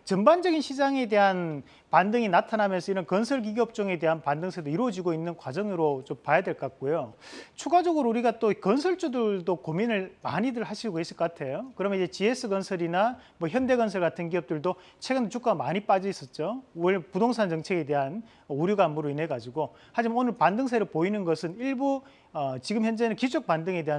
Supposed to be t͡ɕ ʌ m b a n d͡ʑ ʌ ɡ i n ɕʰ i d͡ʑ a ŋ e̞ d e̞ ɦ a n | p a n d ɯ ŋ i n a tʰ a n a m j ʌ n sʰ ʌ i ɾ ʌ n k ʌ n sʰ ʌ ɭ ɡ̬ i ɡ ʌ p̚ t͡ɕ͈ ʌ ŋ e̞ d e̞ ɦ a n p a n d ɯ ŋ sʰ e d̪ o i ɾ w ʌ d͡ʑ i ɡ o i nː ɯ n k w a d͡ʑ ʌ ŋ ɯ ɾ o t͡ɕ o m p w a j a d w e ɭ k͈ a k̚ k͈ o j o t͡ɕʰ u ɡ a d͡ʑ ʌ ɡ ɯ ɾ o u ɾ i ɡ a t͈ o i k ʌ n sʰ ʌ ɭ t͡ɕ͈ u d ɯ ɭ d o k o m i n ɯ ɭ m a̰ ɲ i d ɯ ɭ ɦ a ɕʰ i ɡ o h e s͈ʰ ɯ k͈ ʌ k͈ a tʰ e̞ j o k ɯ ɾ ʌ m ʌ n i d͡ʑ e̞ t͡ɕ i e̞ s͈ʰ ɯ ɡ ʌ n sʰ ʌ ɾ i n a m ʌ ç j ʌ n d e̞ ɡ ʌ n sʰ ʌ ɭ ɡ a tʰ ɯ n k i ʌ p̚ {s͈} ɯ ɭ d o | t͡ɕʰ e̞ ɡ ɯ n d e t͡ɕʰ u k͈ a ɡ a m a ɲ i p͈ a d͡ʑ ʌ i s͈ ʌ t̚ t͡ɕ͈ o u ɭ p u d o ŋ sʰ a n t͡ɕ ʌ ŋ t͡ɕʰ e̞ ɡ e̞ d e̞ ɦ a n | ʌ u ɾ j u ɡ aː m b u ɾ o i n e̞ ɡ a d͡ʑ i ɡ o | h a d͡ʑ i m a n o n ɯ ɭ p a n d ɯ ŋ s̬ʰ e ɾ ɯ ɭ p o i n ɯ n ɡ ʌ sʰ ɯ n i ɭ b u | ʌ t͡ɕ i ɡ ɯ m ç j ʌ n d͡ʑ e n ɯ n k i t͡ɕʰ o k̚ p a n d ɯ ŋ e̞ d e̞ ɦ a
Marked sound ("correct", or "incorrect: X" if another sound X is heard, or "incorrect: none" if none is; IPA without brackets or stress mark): incorrect: t͈